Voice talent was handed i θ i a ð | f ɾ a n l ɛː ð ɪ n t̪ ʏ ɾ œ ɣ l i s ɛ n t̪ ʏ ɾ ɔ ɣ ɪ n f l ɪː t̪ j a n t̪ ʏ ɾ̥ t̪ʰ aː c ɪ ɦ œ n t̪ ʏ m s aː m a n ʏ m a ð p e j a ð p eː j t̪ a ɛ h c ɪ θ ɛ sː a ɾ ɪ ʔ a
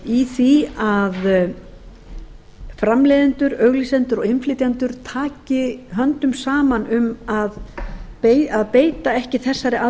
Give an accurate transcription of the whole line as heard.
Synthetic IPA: i θ i a ð | f ɾ a m l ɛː ð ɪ n t̪ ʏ ɾ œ ɣ l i s ɛ n t̪ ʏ ɾ ɔ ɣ ɪ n f l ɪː t̪ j a n t̪ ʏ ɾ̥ t̪ʰ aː c ɪ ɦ œ n t̪ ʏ m s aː m a n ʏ m a ð p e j a ð p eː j t̪ a ɛ h c ɪ θ ɛ sː a ɾ ɪ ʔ a